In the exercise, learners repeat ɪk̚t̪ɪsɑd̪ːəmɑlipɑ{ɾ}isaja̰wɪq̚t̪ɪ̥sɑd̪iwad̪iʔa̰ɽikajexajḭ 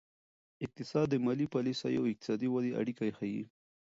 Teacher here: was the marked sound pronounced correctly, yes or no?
no